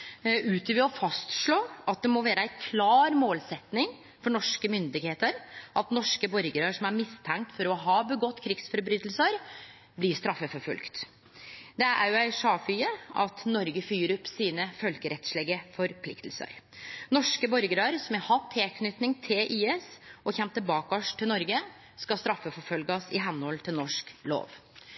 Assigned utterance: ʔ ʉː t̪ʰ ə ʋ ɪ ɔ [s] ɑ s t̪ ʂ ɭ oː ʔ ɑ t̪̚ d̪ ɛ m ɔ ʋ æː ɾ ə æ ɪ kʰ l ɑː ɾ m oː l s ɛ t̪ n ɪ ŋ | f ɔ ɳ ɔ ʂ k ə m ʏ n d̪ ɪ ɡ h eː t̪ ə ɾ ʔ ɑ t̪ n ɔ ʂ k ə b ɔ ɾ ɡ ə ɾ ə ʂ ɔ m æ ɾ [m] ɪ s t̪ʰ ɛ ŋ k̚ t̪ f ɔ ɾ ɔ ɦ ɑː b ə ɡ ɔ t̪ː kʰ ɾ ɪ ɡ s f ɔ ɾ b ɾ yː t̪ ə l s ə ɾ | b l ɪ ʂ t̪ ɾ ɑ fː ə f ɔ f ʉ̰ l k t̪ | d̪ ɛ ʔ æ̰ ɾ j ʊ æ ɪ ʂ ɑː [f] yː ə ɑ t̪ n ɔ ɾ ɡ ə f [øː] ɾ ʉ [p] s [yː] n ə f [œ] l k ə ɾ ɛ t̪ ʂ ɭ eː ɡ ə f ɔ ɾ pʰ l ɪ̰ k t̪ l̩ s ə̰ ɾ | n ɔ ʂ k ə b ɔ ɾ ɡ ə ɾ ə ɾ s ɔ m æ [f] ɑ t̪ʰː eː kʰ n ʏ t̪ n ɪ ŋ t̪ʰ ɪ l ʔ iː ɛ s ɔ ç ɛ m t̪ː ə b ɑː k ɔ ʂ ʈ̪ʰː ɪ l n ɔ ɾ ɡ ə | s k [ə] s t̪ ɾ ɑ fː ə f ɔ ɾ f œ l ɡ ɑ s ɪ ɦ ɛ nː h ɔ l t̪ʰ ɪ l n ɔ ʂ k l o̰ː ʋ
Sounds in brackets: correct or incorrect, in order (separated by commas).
incorrect, correct, correct, incorrect, correct, incorrect, correct, incorrect, incorrect